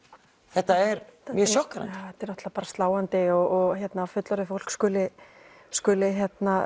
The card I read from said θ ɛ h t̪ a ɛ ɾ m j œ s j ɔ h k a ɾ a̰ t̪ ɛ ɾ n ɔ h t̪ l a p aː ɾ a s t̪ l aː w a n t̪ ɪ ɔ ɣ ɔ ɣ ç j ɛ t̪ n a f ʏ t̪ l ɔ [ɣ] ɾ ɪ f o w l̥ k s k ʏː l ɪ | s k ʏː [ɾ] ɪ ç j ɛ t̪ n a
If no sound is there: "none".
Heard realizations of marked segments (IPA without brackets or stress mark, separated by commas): none, l